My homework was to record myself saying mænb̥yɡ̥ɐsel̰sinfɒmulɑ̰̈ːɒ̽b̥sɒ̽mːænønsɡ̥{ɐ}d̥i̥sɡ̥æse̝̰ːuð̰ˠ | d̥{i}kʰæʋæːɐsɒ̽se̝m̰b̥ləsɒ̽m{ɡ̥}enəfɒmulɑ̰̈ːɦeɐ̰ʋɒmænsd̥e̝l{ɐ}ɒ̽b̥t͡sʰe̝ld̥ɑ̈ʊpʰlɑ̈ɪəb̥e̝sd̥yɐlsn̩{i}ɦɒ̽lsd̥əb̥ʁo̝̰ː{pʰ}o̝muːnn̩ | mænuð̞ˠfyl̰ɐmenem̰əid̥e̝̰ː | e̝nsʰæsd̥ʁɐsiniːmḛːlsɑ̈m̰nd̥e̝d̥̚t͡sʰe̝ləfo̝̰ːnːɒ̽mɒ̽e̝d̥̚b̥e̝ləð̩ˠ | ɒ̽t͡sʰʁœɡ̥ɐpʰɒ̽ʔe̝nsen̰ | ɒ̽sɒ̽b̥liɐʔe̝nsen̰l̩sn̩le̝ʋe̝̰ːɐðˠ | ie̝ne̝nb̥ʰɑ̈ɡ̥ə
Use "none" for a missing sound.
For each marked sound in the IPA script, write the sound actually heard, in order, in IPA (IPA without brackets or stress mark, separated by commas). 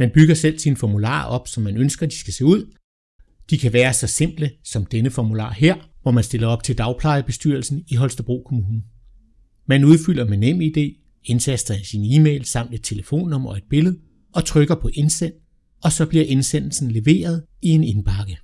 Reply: ɐ, i, d̥, ɐ, i, kʰ